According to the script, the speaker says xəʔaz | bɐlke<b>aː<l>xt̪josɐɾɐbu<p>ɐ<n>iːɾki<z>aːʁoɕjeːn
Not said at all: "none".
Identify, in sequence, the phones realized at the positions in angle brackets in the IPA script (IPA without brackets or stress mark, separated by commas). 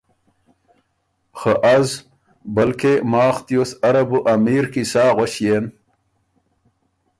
m, none, ʔ, m, s